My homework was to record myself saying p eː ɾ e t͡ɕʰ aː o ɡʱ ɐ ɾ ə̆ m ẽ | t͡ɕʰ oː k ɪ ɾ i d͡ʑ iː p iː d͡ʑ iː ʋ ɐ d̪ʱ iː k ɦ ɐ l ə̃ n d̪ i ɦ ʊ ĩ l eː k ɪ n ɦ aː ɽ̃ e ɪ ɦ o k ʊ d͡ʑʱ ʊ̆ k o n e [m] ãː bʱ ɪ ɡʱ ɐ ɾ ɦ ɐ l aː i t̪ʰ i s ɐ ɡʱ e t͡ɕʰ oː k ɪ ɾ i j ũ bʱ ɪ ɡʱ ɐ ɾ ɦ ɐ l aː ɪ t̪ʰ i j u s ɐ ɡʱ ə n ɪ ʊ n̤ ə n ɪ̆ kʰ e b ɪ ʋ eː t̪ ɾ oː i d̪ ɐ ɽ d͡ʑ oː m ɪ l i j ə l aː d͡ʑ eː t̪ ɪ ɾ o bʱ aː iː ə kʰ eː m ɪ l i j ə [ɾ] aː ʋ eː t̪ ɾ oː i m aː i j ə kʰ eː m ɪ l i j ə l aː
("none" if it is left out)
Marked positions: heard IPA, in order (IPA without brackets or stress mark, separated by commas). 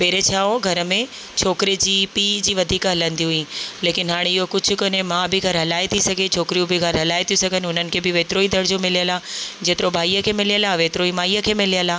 m, l